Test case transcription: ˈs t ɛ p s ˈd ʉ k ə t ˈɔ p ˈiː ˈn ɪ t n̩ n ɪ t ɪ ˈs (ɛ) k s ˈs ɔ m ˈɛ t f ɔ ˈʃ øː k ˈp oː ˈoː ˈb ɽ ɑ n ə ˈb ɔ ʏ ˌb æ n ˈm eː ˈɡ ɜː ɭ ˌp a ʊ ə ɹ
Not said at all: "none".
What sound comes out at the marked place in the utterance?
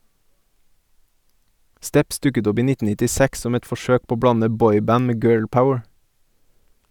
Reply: æ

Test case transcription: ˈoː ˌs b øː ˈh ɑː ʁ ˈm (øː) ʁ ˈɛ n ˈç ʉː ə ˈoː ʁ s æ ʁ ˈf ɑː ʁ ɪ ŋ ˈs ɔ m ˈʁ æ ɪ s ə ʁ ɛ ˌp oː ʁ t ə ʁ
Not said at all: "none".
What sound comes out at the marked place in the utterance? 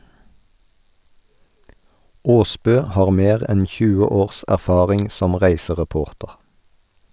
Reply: eː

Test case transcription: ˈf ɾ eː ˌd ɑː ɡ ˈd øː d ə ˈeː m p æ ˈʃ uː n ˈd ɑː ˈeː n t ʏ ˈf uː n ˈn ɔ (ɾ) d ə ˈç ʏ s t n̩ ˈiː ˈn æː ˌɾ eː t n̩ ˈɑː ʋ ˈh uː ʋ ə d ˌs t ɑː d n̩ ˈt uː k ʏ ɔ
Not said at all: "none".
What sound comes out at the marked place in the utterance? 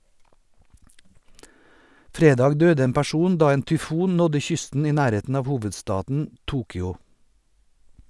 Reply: none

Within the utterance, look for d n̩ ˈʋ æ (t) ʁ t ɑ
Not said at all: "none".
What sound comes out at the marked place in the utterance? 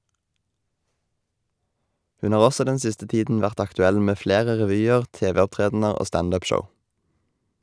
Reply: none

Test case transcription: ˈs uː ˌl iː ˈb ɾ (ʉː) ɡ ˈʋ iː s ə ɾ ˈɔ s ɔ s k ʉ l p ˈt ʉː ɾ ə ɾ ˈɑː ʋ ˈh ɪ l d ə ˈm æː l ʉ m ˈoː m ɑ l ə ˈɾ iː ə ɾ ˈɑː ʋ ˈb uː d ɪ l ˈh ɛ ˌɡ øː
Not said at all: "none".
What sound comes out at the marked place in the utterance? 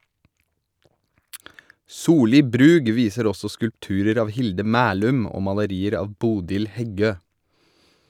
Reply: ʉː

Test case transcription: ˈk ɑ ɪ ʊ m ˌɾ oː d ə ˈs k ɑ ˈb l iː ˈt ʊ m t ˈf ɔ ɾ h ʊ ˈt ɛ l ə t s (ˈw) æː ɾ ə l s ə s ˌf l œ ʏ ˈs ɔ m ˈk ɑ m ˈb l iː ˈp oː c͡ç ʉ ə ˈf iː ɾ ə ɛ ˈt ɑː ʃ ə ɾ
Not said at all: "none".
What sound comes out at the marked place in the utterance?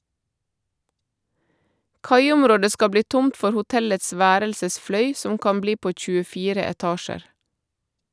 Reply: ʋ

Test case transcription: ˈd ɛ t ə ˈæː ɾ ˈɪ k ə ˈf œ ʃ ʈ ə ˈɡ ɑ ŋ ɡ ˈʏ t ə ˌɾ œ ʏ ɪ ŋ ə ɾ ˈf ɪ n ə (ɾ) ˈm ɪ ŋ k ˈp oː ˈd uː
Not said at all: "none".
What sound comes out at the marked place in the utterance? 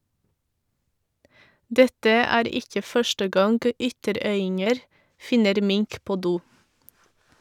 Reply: ɾ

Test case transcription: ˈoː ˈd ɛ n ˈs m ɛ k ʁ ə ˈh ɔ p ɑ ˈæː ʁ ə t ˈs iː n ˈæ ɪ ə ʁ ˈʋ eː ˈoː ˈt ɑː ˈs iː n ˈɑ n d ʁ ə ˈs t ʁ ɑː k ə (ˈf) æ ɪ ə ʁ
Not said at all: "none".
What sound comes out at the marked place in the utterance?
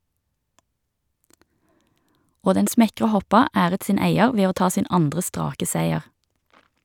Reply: s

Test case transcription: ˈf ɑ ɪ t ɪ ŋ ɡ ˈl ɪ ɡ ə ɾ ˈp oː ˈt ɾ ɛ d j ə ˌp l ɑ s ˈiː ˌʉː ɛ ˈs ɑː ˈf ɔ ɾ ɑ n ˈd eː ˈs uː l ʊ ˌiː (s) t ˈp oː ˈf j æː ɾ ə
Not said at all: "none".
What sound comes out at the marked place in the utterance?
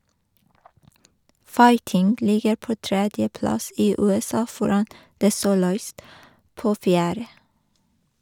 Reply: s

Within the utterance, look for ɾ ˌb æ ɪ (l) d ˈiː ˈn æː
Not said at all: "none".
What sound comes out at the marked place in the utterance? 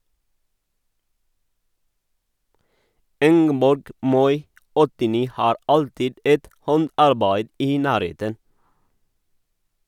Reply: none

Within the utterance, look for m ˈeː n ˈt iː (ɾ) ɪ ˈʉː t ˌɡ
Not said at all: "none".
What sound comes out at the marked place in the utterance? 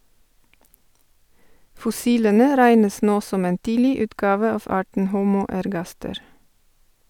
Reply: l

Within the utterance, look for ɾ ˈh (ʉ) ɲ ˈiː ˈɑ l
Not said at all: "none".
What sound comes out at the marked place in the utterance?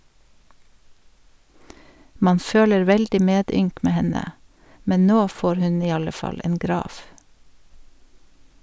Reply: ʉ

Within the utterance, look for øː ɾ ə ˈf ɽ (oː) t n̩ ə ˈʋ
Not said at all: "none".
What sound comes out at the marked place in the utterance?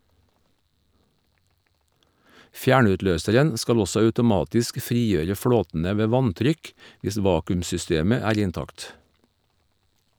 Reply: oː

